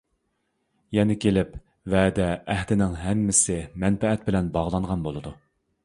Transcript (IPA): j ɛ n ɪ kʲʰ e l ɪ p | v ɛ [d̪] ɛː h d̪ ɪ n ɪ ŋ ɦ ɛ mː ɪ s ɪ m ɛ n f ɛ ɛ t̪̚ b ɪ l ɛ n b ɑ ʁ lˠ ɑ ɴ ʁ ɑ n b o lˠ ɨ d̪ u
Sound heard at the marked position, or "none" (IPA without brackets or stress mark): d̪